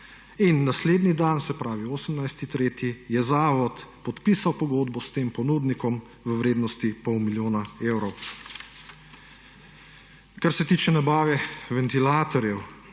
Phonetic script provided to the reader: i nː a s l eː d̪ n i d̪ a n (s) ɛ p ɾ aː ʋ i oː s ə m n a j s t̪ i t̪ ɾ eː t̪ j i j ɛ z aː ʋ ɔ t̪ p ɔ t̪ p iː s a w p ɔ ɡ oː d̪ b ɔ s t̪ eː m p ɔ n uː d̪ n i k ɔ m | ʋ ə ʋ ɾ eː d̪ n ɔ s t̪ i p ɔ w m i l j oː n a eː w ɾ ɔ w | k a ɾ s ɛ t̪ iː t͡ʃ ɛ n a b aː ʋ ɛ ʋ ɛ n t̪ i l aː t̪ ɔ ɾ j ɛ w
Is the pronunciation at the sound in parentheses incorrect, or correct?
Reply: correct